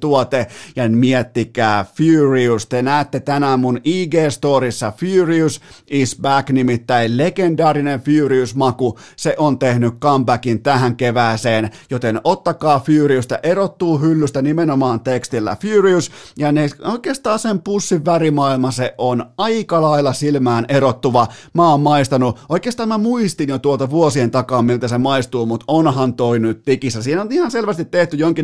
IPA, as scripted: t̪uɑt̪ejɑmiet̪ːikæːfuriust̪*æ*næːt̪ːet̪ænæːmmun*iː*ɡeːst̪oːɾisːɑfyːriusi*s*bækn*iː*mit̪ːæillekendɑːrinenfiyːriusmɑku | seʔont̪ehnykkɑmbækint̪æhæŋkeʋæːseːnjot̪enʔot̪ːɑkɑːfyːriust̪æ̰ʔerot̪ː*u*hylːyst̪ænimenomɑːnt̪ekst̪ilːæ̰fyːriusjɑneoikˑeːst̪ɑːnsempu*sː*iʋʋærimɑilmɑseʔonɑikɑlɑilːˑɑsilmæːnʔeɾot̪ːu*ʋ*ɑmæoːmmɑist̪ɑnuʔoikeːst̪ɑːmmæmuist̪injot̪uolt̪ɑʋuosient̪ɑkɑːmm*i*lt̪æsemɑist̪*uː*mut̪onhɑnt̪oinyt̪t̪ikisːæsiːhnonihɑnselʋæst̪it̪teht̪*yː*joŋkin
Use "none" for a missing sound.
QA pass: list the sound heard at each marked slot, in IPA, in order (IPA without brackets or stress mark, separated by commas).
e, iː, s, i, uː, sː, ʋ, i, uː, y